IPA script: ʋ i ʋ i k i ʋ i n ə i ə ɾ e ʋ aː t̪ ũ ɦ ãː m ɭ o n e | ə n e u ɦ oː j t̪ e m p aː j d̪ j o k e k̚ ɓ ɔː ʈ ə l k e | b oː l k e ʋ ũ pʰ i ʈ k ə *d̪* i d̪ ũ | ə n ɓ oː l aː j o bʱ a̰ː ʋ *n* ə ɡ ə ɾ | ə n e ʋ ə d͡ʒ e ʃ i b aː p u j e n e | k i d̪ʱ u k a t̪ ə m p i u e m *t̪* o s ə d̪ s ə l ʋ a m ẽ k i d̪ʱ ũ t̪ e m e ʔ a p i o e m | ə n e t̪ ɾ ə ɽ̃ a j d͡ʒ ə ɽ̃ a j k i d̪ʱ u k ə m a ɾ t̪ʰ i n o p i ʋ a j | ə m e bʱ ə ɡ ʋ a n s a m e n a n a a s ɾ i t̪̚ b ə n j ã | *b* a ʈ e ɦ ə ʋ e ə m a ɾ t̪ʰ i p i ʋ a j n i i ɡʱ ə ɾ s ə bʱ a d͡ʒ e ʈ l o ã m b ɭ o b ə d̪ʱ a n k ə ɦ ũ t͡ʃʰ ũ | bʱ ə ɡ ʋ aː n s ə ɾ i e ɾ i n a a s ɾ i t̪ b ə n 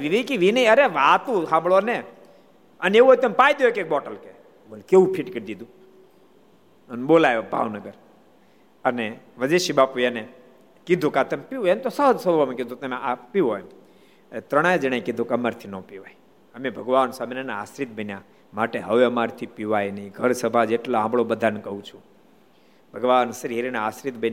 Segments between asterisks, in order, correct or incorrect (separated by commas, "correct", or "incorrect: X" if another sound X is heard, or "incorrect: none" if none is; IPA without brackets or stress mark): correct, correct, correct, incorrect: m